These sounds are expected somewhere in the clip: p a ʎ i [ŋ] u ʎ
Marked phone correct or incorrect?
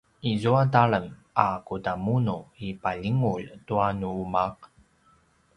correct